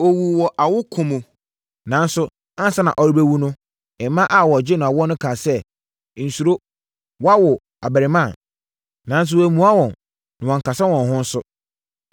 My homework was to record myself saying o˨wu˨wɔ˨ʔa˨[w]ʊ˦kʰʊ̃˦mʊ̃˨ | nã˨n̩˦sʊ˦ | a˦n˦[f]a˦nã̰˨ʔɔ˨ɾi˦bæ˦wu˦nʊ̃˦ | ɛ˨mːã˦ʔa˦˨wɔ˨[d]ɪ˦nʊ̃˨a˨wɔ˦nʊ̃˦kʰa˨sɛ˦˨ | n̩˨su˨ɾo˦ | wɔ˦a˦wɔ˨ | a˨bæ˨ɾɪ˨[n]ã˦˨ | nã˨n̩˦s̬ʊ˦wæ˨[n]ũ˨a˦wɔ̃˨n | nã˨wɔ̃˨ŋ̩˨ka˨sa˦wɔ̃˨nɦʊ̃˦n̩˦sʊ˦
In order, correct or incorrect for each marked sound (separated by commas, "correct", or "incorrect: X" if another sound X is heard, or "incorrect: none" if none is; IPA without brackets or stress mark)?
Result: correct, incorrect: s, incorrect: d͡ʑ, incorrect: m, incorrect: m